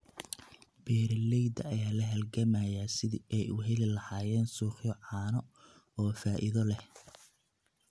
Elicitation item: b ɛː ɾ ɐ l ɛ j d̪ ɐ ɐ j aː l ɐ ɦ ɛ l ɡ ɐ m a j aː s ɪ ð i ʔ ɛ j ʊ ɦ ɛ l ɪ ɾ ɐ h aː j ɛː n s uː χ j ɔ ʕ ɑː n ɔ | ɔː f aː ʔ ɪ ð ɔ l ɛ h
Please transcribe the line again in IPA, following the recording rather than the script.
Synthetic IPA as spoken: b ɛː ɾ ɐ l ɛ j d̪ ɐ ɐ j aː l ɐ ɦ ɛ l ɡ ɐ m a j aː s ɪ ð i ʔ ɛ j ʊ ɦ ɛ l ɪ l ɐ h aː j ɛː n s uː χ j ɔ ʕ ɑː n ɔ | ɔː f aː ʔ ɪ ð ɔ l ɛ h